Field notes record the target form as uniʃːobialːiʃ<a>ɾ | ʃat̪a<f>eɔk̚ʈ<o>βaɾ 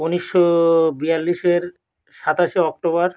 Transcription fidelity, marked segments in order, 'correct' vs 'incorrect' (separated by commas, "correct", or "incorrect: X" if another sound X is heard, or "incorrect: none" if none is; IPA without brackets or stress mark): incorrect: e, incorrect: ʃ, correct